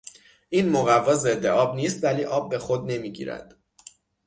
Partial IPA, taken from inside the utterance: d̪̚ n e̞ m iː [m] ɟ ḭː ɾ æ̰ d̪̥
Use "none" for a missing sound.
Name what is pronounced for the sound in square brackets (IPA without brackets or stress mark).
none